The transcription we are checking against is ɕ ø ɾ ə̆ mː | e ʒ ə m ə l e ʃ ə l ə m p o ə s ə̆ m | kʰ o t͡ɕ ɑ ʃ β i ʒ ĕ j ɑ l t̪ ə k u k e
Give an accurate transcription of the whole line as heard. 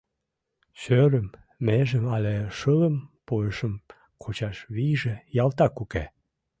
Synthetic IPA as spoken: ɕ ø ɾ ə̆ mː | e ʒ ə m ɑ l e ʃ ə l ə m p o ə ʃ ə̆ m | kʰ o t͡ɕ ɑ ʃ β i ʒ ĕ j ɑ l t̪ ɑ k u k e